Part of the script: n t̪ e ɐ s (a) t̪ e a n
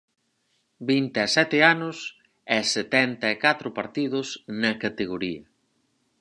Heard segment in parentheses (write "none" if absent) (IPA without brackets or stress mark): ɛ